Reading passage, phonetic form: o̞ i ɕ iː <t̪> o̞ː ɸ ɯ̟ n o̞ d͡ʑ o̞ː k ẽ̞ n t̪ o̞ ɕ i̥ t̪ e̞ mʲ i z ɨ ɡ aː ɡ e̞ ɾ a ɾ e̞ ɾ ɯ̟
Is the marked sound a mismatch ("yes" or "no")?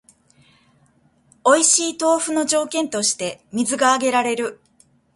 no